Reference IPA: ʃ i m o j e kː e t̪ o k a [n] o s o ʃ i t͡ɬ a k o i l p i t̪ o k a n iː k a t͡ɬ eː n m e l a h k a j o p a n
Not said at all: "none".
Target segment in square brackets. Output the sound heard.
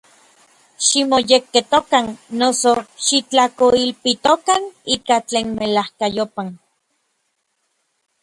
nː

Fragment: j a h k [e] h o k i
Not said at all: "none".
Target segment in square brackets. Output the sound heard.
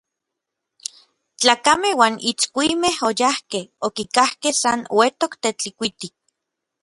e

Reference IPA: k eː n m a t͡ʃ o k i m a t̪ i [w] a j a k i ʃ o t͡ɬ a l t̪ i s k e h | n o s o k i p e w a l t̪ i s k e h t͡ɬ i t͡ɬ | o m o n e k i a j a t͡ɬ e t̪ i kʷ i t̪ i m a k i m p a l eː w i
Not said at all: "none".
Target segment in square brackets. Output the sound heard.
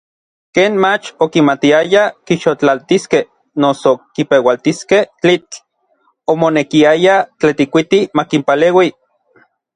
none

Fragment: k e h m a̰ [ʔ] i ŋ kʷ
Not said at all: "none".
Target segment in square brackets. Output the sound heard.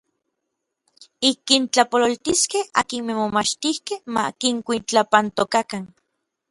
k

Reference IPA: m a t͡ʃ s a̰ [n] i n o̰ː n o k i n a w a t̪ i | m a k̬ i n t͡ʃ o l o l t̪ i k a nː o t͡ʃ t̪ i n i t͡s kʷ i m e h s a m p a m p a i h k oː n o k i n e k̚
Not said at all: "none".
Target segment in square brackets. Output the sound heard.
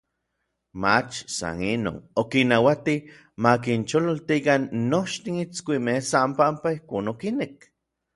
n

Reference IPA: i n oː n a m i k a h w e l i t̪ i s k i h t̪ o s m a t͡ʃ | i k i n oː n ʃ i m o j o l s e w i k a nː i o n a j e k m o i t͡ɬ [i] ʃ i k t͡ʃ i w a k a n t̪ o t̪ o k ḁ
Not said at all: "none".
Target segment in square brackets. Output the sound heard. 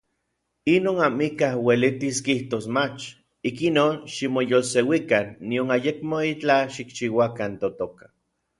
a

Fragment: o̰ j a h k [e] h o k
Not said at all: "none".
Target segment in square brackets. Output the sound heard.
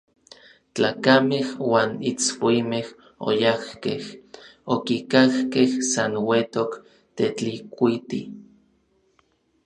e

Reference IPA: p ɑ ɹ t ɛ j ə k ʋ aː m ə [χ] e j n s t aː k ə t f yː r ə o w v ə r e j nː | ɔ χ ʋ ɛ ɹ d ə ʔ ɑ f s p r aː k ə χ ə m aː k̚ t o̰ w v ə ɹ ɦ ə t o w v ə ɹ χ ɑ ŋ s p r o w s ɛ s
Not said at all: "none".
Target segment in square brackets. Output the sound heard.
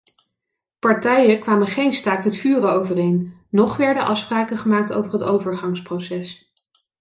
χ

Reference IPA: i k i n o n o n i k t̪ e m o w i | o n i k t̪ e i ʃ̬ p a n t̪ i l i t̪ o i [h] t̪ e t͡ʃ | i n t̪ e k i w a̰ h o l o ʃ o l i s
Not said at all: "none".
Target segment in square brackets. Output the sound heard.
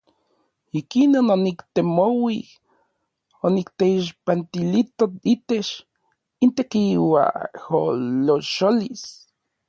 none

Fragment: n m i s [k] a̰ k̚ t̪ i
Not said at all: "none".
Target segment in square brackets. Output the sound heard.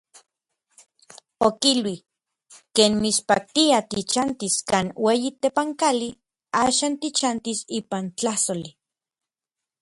p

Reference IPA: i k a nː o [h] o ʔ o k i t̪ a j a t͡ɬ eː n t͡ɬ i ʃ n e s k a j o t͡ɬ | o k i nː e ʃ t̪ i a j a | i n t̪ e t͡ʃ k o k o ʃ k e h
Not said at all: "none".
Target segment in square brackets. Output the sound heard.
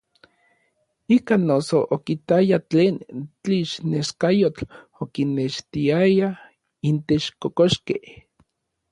s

